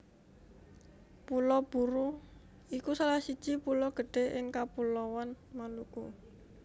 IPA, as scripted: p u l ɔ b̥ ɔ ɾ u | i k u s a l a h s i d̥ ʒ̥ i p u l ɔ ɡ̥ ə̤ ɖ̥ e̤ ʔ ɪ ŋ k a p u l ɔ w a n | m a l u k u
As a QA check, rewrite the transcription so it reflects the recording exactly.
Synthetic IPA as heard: p u l ɔ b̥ u ɾ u | i k u s a l a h s i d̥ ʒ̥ i p u l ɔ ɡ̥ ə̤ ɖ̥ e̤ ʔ ɪ ŋ k a p u l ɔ w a n | m a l u k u

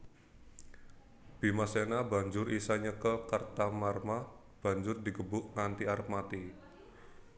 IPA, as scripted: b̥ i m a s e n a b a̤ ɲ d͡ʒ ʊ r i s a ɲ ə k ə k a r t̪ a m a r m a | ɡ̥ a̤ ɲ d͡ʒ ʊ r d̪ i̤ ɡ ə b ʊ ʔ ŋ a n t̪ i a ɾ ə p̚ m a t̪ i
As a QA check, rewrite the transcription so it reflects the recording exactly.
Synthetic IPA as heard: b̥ i m a s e n a b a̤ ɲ d͡ʒ ʊ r i s a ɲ ə k ə k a r t̪ a m a r m a | b̥ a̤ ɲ d͡ʒ ʊ r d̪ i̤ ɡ ə b ʊ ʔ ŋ a n t̪ i a ɾ ə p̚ m a t̪ i

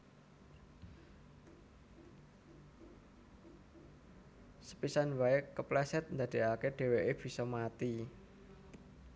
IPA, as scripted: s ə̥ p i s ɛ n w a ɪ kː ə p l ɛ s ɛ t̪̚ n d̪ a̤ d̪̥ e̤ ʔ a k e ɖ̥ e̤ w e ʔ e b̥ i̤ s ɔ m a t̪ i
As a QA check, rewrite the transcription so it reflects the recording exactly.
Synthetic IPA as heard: s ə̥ p i s a n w a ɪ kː ə p l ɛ s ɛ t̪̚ n d̪ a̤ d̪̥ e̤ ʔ a k e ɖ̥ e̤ w e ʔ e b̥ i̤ s ɔ m a t̪ i

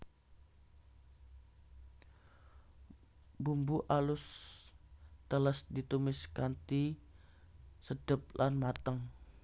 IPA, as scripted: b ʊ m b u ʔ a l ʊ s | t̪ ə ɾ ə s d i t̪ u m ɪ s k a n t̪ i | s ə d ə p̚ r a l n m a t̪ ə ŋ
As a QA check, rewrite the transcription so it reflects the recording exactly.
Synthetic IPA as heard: b u m b u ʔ a l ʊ s | t̪ ə l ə s d i t̪ u m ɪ s k a n t̪ i | s ə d ə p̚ l a n m a t̪ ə ŋ

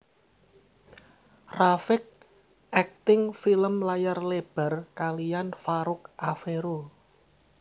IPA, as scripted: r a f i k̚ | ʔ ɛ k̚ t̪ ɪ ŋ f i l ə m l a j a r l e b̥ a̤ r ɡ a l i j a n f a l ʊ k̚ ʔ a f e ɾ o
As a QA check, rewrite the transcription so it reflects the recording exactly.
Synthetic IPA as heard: r a f ɪ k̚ | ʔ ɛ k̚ t̪ ɪ ŋ f i l ə m l a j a r l e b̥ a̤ r k a l i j a n f a ɾ ʊ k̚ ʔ a f e ɾ o

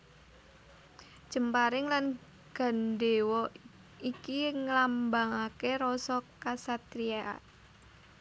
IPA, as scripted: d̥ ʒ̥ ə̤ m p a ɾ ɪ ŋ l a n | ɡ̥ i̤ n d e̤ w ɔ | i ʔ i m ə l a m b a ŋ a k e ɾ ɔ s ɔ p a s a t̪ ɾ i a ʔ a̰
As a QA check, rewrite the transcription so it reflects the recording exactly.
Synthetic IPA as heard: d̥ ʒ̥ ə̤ m p a ɾ ɪ ŋ l a n | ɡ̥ a̤ n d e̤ w ɔ | i k i ŋ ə l a m b a ŋ a k e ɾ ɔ s ɔ k a s a t̪ ɾ i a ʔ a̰

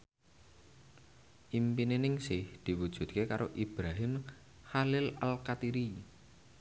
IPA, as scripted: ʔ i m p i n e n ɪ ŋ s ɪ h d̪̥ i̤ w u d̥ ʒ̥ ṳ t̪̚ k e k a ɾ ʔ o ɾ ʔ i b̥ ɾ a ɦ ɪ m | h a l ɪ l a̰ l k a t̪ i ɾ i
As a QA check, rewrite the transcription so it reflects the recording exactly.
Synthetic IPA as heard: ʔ i m p i n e n ɪ ŋ s ɪ h d̪̥ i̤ w u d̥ ʒ̥ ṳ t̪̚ k e k a ɾ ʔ o ʔ i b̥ ɾ a ɦ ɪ m | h a l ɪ l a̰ l k a t̪ i ɾ i

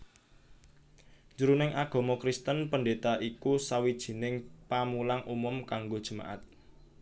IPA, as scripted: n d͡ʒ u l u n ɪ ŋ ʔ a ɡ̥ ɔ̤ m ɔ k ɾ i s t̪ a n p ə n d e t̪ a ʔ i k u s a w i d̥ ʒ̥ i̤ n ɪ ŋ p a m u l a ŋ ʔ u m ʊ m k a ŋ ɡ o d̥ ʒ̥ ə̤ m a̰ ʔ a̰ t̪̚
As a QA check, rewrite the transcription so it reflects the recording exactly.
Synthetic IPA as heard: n d͡ʒ u ɾ u n ɪ ŋ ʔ a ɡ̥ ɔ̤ m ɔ k ɾ i s t̪ ə n p ə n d e t̪ a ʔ i k u s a w i d̥ ʒ̥ i̤ n ɪ ŋ p a m u l a ŋ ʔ u m ʊ m k a ŋ ɡ o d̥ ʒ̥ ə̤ m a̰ ʔ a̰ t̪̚

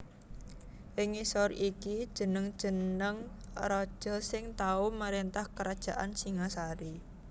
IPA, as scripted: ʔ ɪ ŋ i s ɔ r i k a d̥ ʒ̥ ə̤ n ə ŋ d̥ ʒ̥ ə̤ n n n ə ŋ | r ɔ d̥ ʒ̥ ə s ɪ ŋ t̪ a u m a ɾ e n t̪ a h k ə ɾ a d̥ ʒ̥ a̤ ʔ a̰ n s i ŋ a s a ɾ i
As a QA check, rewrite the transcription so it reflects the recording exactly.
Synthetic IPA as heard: ʔ ɪ ŋ i s ɔ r i k i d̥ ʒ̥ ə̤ n ə ŋ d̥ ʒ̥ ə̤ n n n ə ŋ | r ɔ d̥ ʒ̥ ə s ɪ ŋ t̪ a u m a ɾ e n t̪ a h k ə ɾ a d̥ ʒ̥ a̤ ʔ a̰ n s i ŋ a s a ɾ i

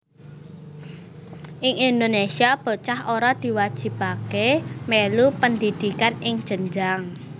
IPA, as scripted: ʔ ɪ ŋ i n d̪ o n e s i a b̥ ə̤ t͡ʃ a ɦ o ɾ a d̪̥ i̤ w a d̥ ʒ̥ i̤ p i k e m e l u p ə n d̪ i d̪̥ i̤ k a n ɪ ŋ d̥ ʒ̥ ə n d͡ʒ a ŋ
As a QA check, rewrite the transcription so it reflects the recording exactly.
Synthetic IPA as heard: ʔ ɪ ŋ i n d̪ o n e s i a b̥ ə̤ t͡ʃ a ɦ o ɾ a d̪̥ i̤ w a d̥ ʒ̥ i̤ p a k e m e l u p ə n d̪ i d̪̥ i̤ k a n ɪ ŋ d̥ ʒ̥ ə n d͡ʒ a ŋ

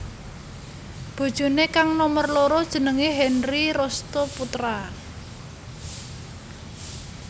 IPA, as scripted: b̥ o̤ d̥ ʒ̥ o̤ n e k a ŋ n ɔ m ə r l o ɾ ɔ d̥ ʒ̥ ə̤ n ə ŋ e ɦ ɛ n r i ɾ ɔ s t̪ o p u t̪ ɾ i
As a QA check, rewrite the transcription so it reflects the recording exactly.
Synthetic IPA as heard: b̥ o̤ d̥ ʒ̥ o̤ n e k a ŋ n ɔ m ə r l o ɾ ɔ d̥ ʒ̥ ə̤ n ə ŋ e ɦ ɛ n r i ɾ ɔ s t̪ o p u t̪ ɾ a

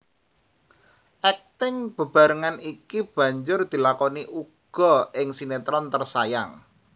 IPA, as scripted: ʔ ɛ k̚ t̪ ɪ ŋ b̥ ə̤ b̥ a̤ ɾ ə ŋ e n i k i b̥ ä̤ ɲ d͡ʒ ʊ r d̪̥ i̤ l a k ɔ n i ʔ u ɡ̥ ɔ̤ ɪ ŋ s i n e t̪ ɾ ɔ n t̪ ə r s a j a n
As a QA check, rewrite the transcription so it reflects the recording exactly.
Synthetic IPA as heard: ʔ ɛ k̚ t̪ ɪ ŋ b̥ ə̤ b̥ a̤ ɾ ə ŋ a n i k i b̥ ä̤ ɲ d͡ʒ ʊ r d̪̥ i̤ l a k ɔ n i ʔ u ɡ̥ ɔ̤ ɪ ŋ s i n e t̪ ɾ ɔ n t̪ ə r s a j a ŋ

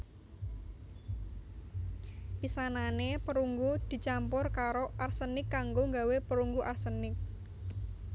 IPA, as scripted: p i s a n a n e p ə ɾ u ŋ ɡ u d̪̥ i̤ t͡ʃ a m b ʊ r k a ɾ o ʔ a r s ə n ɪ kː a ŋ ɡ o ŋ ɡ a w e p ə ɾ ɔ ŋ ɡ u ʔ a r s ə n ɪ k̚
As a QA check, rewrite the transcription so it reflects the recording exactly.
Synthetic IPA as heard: p i s a n a n e p ə ɾ u ŋ ɡ u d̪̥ i̤ t͡ʃ a m p ʊ r k a ɾ o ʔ a r s ə n ɪ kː a ŋ ɡ o ŋ ɡ a w e p ə ɾ u ŋ ɡ u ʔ a r s ə n ɪ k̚

